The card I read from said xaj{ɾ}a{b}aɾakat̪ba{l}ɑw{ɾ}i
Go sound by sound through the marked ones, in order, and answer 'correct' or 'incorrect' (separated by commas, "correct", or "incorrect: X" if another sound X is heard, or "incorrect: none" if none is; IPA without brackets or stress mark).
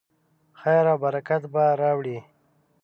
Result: correct, correct, incorrect: ɾ, incorrect: ɽ